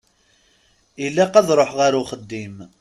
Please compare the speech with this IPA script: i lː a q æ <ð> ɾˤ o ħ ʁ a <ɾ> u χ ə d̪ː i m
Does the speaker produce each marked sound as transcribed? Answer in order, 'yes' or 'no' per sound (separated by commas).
yes, yes